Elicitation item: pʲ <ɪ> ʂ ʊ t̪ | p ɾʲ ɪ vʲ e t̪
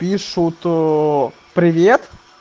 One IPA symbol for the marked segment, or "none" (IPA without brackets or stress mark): i